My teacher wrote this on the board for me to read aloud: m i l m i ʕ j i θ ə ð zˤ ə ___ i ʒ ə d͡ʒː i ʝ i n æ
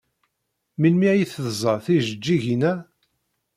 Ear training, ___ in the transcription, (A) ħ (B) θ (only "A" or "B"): B